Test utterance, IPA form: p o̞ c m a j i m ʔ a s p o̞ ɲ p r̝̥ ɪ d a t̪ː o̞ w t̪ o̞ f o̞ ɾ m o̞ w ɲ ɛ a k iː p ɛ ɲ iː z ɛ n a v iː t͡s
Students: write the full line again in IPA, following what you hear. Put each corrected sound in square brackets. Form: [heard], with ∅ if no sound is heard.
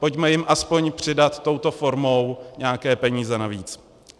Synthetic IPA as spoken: p o̞ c m [ɛ] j [ɪ] m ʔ a s p o̞ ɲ p r̝̥ ɪ d a t̪ː o̞ w t̪ o̞ f o̞ ɾ m o̞ w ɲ ɛ a k [ɛː] p ɛ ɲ iː z ɛ n a v iː t͡s